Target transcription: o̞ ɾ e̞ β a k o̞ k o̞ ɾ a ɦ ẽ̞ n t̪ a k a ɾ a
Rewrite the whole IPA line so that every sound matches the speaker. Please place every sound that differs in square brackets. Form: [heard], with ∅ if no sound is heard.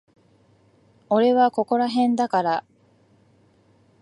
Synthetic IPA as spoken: o̞ ɾ e̞ β a k o̞ k o̞ ɾ a ɦ ẽ̞ n [d̪] a k a ɾ a